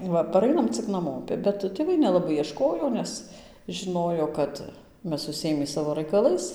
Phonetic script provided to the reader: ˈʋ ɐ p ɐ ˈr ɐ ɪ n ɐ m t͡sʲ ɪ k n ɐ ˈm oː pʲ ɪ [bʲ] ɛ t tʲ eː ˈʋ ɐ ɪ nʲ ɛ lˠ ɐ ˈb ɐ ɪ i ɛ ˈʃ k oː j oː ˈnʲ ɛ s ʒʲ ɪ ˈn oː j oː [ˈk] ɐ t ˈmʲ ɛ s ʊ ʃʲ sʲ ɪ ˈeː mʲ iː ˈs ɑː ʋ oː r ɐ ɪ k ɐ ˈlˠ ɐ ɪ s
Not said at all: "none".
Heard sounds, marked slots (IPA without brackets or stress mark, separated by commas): bʲ, k